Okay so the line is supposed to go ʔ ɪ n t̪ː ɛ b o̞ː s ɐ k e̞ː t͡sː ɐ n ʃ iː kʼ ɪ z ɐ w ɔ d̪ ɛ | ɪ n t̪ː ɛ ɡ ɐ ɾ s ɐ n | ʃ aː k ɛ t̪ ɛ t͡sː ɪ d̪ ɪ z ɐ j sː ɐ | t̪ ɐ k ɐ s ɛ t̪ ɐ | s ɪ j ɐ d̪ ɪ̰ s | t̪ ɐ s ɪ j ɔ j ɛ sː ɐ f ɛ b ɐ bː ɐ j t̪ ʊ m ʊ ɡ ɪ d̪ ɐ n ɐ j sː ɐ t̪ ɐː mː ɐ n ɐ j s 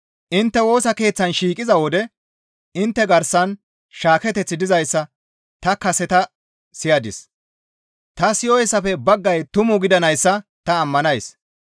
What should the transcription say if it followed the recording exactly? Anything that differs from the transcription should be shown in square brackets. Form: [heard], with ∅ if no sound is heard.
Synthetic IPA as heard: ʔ ɪ n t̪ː ɛ [w] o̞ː s ɐ k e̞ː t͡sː ɐ n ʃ iː kʼ ɪ z ɐ w ɔ d̪ ɛ | ɪ n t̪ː ɛ ɡ ɐ ɾ s ɐ n | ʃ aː k ɛ t̪ ɛ t͡sː ɪ d̪ ɪ z ɐ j sː ɐ | t̪ ɐ k ɐ s ɛ t̪ ɐ | s ɪ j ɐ d̪ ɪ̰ s | t̪ ɐ s ɪ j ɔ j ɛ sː ɐ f ɛ b ɐ [ɡː] ɐ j t̪ ʊ m ʊ ɡ ɪ d̪ ɐ n ɐ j sː ɐ t̪ ɐː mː ɐ n ɐ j s